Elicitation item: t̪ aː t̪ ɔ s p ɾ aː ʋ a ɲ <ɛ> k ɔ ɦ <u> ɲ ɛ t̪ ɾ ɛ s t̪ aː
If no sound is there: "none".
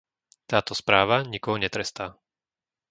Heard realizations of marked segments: i, ɔ

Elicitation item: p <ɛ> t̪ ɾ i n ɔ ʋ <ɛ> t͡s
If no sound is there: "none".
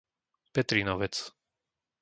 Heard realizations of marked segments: ɛ, ɛ

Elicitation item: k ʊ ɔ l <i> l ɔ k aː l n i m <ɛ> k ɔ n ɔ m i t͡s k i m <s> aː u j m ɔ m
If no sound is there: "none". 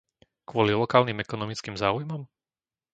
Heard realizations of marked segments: i, ɛ, z

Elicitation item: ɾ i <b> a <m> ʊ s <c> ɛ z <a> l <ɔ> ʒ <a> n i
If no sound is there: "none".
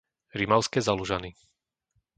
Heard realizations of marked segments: m, none, k, a, u, a

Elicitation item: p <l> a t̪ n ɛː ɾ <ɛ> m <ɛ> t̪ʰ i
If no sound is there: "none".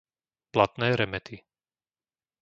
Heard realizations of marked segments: l, ɛ, ɛ

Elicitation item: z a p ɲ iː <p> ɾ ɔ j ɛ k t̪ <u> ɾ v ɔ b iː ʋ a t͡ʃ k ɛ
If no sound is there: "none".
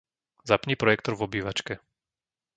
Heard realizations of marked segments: p, ɔ

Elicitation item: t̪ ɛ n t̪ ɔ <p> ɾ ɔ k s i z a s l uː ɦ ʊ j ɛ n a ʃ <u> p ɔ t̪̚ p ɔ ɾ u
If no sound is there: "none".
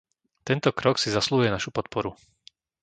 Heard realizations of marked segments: k, u

